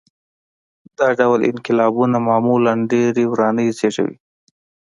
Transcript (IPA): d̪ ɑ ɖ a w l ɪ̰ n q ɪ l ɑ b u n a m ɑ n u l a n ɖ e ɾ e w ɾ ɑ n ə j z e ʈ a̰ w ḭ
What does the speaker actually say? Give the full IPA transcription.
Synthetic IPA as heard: d̪ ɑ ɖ a w l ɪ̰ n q ɪ l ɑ b u n a m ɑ m u l a n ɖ e ɾ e w ɾ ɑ n ə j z e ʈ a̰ w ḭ